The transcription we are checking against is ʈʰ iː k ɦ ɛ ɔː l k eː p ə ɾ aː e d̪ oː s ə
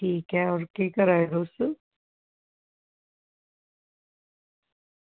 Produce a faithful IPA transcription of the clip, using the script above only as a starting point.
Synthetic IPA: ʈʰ iː k ɦ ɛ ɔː ɾ k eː k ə ɾ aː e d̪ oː s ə